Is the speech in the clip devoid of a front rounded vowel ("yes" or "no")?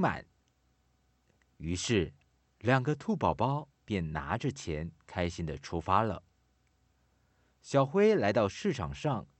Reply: no